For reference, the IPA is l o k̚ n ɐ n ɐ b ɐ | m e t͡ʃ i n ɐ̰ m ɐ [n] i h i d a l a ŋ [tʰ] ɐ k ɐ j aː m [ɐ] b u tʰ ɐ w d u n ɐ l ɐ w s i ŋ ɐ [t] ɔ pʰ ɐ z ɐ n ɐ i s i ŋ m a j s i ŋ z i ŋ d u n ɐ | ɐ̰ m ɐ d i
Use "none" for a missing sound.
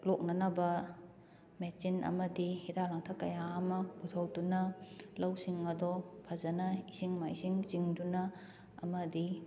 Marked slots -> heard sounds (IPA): d, tʰ, ɐ, d

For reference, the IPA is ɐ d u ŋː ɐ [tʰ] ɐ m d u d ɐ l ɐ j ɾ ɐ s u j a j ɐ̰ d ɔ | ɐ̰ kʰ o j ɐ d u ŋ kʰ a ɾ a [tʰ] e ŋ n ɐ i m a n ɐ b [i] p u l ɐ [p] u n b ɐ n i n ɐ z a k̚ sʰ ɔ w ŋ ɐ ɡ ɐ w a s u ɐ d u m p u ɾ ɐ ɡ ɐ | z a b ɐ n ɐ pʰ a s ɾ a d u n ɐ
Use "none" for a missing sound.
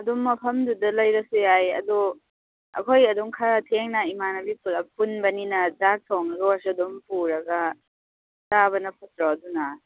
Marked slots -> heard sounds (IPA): pʰ, tʰ, i, p

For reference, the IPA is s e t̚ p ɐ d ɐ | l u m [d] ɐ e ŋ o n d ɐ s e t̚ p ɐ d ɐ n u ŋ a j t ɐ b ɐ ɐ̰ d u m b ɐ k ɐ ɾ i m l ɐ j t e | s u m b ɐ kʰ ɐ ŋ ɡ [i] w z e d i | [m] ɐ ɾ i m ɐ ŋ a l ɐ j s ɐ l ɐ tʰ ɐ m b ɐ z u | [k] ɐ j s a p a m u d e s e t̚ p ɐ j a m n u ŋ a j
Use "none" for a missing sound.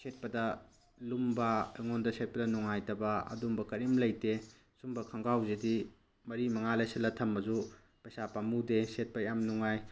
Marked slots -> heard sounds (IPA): b, a, m, p

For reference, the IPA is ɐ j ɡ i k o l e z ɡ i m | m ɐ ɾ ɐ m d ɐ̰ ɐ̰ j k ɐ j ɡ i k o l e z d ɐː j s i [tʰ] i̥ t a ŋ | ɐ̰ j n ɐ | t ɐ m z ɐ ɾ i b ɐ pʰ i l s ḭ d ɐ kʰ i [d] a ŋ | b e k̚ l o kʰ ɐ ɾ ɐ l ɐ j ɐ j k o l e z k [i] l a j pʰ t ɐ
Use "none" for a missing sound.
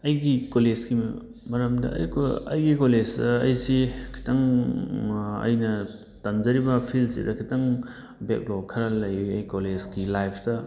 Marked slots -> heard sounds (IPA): kʰ, t, i

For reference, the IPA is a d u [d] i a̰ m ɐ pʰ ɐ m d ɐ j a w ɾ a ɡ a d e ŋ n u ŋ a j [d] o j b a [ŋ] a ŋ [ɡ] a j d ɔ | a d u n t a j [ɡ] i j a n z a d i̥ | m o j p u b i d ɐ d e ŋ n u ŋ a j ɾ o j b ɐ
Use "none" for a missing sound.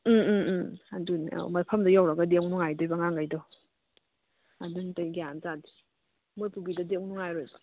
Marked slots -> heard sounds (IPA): n, d, ŋ, ɡ, ɡ

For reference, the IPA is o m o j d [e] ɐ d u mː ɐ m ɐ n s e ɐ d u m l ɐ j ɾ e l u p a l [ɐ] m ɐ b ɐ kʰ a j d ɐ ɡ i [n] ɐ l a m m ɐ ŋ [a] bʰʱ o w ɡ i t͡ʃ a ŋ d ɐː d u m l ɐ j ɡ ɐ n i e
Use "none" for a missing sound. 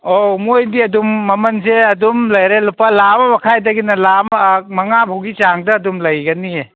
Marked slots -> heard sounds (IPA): i, a, n, a

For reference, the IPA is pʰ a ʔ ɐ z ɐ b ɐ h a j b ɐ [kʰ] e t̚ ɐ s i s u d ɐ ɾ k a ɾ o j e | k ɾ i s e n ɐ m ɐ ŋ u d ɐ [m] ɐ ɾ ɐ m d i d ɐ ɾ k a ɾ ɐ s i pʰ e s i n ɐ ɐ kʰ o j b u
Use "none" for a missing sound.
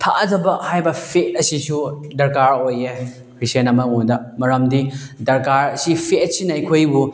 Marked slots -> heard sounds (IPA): pʰ, m

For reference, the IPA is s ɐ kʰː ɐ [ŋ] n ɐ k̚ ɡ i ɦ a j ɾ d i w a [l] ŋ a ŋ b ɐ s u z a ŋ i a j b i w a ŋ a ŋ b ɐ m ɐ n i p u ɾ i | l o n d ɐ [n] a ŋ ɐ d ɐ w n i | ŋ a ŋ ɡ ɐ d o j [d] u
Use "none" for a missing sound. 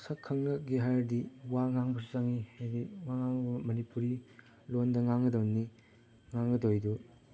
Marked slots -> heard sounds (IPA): ŋ, none, ŋ, d

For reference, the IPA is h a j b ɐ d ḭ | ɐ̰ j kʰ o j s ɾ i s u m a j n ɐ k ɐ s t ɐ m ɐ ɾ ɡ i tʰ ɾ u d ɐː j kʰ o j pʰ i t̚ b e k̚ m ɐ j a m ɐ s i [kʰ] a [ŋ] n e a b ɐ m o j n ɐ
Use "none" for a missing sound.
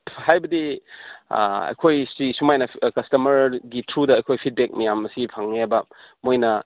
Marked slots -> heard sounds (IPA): pʰ, ŋ

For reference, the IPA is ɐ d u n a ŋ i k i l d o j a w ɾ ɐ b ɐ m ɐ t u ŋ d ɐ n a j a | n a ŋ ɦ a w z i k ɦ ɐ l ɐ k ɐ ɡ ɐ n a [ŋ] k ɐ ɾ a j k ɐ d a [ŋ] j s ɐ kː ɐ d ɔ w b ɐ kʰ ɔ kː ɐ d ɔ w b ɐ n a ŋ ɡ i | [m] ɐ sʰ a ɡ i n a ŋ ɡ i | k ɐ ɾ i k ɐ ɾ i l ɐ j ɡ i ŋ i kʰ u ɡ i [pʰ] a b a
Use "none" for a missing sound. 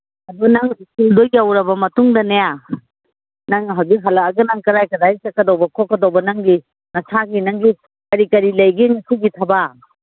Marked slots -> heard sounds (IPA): ŋ, none, n, tʰ

